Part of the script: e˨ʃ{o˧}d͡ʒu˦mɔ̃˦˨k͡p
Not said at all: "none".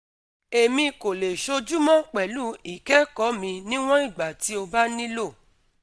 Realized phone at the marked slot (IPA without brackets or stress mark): o˧